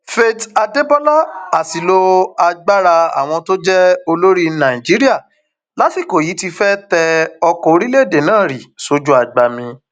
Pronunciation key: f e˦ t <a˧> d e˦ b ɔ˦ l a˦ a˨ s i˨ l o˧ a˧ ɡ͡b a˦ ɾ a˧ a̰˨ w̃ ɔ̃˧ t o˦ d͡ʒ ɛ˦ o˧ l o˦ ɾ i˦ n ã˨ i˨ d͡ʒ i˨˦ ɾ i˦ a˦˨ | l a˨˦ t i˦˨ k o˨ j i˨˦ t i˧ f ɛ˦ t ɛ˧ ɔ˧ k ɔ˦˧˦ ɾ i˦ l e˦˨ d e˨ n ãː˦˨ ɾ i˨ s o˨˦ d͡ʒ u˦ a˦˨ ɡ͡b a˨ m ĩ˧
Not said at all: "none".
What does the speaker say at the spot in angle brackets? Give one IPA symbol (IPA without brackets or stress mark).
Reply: a˧